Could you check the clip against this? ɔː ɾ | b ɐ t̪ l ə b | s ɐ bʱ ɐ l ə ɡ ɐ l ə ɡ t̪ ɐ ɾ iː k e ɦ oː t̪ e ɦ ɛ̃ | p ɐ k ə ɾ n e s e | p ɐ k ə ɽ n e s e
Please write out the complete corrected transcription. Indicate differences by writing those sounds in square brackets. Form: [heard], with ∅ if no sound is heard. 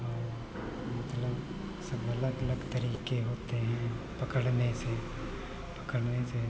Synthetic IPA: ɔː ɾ | [m] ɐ t̪ l ə b | s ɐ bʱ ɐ l ə ɡ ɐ l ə ɡ t̪ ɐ ɾ iː k e ɦ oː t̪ e ɦ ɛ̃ | p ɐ k ə [ɽ] n e s e | p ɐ k ə ɽ n e s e